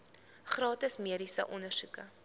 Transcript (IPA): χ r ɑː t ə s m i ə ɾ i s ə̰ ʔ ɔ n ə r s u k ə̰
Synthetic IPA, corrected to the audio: χ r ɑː t ə s m i ə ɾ i s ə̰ ʔ ɔ n ə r s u k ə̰